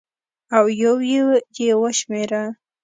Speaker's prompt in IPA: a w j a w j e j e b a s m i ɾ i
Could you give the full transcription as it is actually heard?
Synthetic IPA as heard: a w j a w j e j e w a ʃ m e ɾ a